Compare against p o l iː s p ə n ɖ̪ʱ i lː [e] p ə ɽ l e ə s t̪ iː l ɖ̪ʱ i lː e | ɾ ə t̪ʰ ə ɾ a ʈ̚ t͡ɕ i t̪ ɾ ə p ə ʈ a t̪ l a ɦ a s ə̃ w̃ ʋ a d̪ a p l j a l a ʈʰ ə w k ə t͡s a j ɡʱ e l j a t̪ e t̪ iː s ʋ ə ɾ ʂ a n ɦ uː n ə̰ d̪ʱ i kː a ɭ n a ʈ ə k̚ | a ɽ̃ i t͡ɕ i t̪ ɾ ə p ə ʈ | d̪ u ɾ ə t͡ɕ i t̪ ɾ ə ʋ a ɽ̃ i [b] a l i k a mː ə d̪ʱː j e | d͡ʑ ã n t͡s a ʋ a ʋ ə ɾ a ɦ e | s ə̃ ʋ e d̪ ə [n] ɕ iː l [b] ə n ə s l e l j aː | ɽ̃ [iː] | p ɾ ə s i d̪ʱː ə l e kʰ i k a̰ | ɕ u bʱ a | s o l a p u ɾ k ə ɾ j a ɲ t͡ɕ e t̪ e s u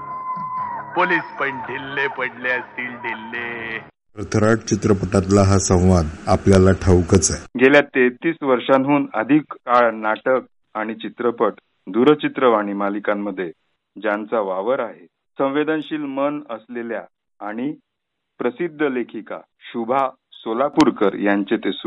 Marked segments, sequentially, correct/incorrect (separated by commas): correct, incorrect, correct, incorrect, incorrect